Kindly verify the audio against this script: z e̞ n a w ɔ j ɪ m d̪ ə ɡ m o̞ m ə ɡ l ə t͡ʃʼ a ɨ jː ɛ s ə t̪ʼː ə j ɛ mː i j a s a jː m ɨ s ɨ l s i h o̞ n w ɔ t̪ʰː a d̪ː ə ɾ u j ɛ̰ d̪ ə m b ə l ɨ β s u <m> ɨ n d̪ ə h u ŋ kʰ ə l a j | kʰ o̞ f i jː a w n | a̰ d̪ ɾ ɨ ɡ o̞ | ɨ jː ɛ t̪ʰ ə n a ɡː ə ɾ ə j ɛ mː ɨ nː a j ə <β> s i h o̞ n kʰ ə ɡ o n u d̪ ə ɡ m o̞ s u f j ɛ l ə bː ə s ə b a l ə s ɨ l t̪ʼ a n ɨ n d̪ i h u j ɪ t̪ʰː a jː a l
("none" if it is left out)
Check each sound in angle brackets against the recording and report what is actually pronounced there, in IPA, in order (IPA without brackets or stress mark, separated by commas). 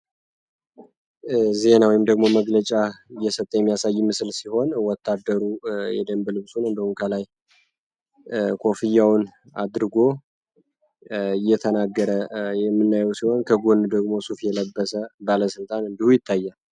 n, w